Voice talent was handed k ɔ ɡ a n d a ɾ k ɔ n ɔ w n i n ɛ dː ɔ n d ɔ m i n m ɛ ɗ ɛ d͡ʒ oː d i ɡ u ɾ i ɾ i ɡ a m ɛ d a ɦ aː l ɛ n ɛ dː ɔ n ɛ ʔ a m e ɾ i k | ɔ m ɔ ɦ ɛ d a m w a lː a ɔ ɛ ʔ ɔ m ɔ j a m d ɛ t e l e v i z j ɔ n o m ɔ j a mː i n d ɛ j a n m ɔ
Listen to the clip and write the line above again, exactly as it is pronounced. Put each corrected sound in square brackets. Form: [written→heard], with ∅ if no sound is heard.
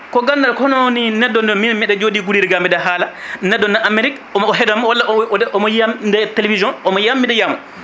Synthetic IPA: k ɔ ɡ a n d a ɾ k ɔ n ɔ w n i n ɛ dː ɔ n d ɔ m i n m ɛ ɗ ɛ d͡ʒ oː d i ɡ u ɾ i ɾ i ɡ a m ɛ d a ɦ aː l [ɛ→a] n ɛ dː ɔ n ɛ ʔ a m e ɾ i k | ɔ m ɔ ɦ ɛ d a m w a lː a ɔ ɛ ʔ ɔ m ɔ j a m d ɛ t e l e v i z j ɔ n [o→ɔ] m ɔ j a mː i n d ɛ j a [n→∅] m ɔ